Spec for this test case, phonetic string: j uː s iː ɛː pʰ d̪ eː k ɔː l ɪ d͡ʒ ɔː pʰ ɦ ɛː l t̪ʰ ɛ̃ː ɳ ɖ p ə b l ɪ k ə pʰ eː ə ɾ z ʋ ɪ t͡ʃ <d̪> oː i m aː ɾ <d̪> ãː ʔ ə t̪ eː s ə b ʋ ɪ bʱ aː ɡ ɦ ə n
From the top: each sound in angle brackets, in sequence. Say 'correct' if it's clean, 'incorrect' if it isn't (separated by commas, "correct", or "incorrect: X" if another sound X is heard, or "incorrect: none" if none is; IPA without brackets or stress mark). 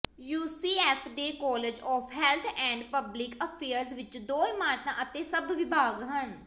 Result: correct, incorrect: t̪